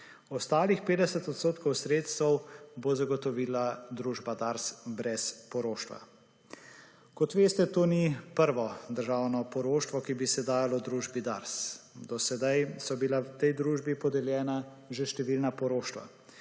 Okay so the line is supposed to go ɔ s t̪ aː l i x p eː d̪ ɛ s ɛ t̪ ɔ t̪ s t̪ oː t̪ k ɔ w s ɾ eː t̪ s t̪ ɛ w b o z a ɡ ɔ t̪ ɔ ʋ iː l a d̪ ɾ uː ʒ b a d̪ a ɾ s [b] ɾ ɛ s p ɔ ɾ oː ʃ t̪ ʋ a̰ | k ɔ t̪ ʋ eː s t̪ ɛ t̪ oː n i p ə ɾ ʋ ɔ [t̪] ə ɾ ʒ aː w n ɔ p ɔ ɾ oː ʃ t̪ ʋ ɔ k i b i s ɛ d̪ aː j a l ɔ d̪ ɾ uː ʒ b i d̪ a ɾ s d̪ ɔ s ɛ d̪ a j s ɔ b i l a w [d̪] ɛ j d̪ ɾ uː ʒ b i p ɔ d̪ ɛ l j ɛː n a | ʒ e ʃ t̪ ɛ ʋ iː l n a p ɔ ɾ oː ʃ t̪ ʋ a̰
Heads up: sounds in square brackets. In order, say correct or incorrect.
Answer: correct, incorrect: d̪, incorrect: t̪

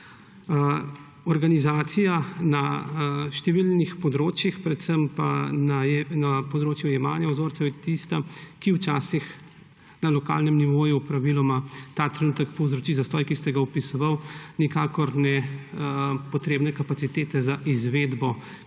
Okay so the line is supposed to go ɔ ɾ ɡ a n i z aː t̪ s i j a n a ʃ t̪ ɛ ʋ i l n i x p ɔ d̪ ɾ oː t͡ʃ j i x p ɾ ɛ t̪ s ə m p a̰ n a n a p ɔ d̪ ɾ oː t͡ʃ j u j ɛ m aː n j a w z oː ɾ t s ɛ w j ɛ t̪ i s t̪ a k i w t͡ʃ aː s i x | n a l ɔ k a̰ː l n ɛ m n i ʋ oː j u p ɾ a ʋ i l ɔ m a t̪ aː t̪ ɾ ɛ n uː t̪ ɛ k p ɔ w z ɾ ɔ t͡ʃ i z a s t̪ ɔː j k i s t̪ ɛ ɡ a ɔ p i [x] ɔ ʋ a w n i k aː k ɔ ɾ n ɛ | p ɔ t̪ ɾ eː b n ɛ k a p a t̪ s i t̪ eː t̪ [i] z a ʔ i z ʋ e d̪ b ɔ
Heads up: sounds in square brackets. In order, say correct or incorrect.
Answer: incorrect: s, incorrect: ɛ

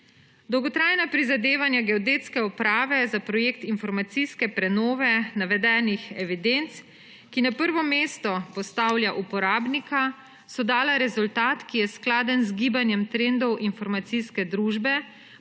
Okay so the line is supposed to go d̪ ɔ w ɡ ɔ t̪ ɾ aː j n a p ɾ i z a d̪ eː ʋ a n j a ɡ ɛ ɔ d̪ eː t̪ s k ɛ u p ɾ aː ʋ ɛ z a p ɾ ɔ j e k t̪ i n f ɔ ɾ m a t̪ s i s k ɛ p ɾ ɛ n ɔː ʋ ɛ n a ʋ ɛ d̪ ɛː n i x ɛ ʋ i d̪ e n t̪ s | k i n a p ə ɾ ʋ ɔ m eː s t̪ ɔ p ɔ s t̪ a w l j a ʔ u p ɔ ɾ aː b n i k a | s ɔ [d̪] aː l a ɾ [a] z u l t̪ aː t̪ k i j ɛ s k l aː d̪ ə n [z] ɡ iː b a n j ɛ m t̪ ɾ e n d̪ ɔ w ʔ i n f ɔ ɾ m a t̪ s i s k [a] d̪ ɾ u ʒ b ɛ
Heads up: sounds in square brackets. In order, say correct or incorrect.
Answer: correct, incorrect: ɛ, correct, incorrect: ɛ

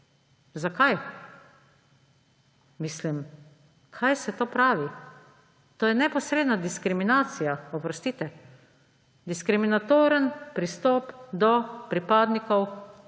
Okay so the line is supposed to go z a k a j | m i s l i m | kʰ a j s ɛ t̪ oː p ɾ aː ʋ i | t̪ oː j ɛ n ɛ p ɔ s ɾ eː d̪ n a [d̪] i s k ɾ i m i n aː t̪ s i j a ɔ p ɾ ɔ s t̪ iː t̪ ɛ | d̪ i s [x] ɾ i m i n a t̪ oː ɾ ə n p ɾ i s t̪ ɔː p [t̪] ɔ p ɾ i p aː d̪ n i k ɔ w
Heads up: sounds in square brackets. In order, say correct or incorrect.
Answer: correct, incorrect: k, incorrect: d̪

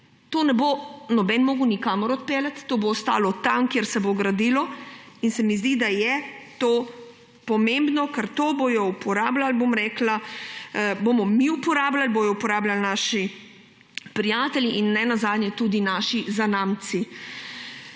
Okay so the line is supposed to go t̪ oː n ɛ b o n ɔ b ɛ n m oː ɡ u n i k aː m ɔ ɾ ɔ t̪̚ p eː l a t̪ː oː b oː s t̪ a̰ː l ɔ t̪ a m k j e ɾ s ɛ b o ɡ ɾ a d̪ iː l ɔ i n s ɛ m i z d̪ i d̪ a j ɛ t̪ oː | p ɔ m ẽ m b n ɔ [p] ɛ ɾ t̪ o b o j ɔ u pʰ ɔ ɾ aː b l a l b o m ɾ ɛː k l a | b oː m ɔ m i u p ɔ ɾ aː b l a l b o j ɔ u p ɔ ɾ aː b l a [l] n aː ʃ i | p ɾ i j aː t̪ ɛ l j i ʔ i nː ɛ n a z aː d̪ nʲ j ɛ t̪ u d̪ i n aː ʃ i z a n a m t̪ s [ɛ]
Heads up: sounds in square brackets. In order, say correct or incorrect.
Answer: incorrect: k, correct, incorrect: i

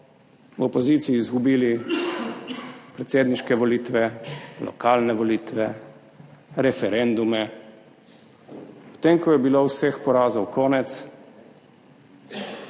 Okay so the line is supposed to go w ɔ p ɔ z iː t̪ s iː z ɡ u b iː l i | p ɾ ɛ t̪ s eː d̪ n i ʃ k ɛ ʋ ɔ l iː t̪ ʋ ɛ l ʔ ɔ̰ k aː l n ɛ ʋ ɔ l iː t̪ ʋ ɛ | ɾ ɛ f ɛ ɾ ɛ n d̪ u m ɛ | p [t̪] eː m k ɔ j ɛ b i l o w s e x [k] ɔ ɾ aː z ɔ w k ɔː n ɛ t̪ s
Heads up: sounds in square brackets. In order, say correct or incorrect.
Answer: correct, incorrect: p

